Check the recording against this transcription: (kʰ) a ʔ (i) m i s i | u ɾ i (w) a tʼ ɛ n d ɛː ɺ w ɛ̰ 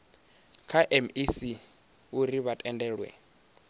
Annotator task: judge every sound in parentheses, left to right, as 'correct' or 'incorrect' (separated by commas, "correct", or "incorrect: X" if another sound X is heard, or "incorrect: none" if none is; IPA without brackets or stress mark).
correct, incorrect: ɛ, incorrect: β